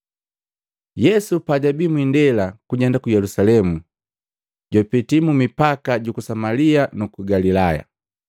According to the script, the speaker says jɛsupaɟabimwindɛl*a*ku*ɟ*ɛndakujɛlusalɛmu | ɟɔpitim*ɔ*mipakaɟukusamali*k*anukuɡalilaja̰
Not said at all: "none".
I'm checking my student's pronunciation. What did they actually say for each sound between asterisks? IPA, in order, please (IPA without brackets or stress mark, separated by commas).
a, ɟ, u, none